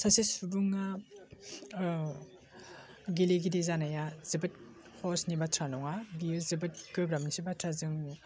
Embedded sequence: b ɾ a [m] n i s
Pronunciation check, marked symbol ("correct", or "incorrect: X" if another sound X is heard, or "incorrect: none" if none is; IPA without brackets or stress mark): correct